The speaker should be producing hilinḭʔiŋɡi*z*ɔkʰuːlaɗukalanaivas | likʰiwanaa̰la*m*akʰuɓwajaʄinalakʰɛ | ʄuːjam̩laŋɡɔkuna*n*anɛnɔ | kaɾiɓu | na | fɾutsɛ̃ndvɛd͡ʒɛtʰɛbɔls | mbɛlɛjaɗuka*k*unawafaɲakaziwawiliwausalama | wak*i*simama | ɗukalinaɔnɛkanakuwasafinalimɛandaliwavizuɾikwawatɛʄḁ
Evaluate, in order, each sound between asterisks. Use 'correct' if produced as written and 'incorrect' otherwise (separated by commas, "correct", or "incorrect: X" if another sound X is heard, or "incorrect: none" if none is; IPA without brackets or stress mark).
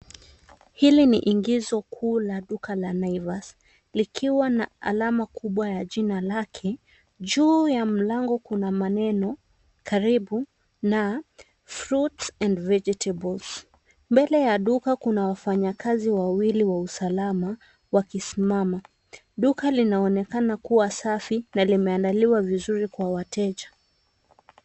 correct, correct, incorrect: m, correct, correct